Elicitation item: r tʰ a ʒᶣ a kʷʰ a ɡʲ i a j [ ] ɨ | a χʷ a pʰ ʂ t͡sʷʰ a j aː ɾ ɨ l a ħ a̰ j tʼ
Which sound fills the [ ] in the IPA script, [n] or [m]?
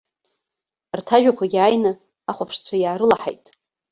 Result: n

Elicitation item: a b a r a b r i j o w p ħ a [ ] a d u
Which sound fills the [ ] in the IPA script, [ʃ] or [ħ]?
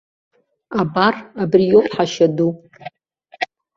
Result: ʃ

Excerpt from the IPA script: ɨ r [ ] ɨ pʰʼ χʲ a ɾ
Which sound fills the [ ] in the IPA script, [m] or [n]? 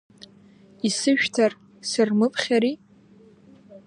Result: m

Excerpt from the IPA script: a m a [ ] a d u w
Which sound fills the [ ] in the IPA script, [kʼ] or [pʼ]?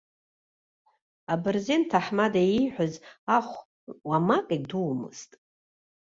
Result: kʼ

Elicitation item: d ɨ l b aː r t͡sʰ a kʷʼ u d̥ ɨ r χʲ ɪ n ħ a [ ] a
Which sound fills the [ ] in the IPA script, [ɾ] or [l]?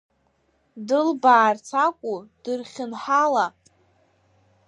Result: l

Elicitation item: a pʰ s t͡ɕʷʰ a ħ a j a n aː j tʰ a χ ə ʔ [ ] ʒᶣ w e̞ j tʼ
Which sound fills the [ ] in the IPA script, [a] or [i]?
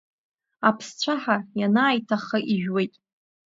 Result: i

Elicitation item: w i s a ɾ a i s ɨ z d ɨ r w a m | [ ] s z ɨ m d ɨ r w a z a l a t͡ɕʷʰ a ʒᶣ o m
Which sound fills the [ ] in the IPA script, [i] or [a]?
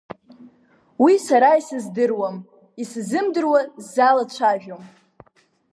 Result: i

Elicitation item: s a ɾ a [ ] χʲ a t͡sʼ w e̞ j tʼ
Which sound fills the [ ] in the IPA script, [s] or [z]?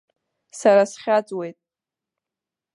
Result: s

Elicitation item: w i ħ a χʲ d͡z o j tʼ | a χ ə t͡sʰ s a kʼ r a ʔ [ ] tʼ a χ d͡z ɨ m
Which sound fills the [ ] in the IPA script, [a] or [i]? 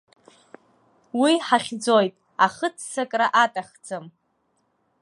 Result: a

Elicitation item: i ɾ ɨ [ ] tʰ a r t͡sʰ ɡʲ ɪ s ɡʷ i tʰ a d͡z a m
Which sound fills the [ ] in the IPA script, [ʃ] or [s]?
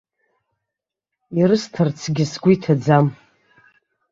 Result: s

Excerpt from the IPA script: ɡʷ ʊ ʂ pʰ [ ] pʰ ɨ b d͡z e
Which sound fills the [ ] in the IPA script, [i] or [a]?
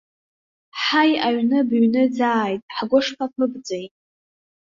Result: a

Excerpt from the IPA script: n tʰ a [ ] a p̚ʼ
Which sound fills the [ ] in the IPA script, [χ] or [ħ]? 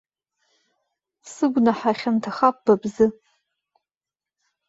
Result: χ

